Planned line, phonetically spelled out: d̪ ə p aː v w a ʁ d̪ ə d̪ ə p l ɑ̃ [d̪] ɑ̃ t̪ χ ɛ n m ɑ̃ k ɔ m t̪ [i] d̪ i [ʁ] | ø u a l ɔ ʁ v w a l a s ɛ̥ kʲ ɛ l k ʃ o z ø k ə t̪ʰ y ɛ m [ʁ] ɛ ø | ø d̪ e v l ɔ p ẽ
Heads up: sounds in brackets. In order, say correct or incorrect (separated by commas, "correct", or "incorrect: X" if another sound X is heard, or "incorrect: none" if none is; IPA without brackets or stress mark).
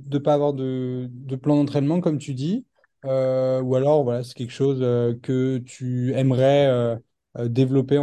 correct, incorrect: y, incorrect: none, correct